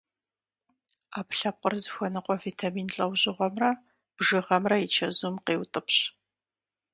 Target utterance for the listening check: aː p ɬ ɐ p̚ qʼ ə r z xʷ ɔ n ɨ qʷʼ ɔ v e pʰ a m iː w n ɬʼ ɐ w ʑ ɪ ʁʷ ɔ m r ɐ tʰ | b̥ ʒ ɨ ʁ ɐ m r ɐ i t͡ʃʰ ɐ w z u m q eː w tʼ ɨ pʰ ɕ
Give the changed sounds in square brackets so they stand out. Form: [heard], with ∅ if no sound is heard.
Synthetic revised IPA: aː p ɬ ɐ p̚ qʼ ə r z xʷ ɔ n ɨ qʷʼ ɔ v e [tʰ] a m iː [∅] n ɬʼ ɐ w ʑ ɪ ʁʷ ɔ m r ɐ [∅] | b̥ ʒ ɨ ʁ ɐ m r ɐ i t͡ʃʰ ɐ [∅] z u m q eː w tʼ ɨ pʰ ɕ